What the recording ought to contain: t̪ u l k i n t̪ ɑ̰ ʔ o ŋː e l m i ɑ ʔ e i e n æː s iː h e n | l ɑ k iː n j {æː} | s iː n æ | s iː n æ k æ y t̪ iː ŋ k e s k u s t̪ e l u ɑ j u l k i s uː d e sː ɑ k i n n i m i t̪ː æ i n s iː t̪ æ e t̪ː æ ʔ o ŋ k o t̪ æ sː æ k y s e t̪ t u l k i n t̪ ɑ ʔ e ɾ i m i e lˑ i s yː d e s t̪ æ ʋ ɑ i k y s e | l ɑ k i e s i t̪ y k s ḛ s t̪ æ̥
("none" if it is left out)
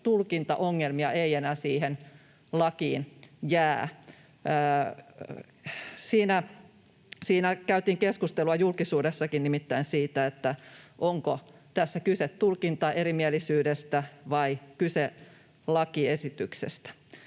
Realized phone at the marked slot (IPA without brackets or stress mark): æː